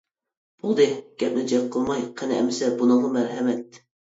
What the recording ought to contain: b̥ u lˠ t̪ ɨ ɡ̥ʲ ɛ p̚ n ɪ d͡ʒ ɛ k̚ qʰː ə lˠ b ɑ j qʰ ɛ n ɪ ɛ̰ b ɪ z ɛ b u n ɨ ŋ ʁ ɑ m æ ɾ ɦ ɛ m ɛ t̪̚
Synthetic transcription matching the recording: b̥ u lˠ d̪ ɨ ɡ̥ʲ ɛ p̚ n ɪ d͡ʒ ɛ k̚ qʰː ə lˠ m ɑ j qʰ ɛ n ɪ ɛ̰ m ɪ s ɛ b u n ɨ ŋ ʁ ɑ m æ ɾ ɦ ɛ m ɛ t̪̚